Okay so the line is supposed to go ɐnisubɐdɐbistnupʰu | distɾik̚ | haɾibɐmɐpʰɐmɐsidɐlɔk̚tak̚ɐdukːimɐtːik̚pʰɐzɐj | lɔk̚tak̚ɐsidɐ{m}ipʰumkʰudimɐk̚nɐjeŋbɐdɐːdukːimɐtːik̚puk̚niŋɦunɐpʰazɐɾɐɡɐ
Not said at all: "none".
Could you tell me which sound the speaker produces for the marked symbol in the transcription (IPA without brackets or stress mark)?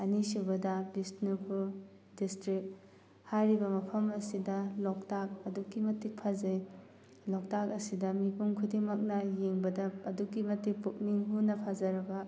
m